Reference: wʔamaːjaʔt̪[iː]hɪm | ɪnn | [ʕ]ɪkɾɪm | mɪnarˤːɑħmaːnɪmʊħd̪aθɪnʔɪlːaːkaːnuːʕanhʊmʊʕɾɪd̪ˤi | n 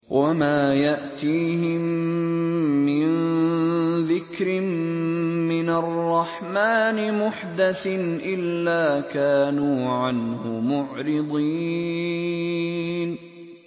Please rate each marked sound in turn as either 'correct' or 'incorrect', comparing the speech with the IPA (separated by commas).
correct, incorrect